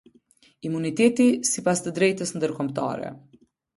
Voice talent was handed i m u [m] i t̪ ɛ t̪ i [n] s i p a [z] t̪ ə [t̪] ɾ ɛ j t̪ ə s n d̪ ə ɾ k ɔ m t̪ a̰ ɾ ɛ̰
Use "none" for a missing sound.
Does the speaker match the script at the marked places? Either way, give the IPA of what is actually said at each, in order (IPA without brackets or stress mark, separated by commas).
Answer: n, none, s, d̪